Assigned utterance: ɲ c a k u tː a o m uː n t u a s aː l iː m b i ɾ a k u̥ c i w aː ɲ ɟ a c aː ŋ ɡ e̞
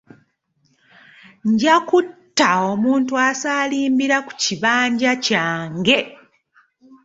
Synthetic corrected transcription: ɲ ɟ a k u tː a o m uː n t u a s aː l iː m b i ɾ a k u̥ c i β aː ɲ ɟ a c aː ŋ ɡ e̞